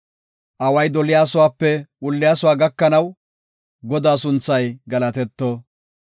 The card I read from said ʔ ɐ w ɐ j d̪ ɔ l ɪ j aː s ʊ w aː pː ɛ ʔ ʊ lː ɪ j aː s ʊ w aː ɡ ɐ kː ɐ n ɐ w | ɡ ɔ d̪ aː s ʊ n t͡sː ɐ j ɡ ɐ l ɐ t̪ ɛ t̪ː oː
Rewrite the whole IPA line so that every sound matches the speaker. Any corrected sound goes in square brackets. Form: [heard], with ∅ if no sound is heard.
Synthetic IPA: ʔ ɐ w ɐ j d̪ ɔ l ɪ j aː s ʊ w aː pː ɛ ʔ ʊ lː ɪ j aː s ʊ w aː ɡ ɐ kː ɐ n ɐ w | ɡ ɔ d̪ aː s ʊ n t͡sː ɐ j ɡ ɐ l ɐ t̪ ɛ t̪ː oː